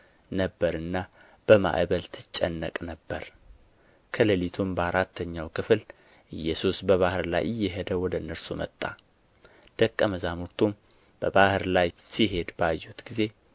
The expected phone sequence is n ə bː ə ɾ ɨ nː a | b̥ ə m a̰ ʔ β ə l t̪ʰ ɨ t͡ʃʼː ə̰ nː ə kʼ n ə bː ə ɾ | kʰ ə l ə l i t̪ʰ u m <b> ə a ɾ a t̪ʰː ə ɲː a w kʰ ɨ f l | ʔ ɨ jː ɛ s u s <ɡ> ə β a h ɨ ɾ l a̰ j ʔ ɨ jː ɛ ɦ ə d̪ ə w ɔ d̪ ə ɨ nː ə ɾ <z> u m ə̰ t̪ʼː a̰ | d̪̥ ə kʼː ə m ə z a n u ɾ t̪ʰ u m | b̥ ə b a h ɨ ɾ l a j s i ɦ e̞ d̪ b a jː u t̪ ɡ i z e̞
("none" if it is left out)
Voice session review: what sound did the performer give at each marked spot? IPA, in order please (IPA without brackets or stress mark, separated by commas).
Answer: b, b, s